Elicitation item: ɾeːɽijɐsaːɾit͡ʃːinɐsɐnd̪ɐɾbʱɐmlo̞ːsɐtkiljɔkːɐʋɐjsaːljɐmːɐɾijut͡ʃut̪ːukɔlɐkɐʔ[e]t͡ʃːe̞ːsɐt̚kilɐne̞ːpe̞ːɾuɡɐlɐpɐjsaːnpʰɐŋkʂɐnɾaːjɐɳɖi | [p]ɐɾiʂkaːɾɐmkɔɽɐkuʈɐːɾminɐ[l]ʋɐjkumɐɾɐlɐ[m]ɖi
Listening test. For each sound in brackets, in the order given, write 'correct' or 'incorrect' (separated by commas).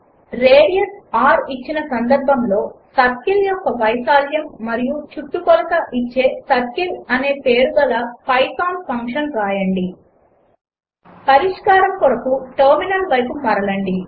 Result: incorrect, correct, correct, incorrect